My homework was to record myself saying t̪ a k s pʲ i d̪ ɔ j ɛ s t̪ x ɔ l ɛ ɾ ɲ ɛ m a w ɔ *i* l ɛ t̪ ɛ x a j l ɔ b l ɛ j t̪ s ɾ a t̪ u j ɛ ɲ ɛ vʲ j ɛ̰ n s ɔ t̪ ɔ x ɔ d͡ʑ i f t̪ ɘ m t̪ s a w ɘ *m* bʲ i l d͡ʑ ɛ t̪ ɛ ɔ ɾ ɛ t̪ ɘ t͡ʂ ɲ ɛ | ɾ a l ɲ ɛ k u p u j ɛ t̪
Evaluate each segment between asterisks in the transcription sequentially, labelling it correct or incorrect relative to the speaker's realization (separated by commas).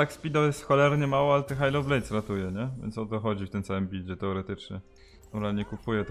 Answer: incorrect, correct